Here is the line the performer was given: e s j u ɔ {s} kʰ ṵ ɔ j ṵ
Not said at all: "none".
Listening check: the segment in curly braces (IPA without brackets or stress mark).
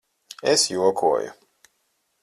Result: none